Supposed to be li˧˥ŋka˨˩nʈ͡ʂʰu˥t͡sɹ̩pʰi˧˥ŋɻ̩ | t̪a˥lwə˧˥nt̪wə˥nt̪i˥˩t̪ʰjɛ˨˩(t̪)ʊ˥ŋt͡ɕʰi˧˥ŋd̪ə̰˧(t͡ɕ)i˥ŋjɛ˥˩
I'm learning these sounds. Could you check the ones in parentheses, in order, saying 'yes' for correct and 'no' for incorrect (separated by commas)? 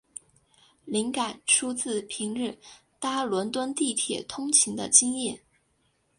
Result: no, yes